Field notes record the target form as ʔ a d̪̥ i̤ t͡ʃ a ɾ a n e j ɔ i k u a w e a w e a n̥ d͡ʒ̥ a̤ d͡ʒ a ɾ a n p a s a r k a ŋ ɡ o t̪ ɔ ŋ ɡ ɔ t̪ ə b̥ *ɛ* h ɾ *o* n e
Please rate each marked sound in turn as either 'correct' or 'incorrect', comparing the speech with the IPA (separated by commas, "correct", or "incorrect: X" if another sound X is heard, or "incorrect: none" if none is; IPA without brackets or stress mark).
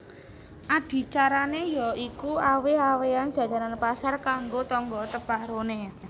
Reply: incorrect: a, correct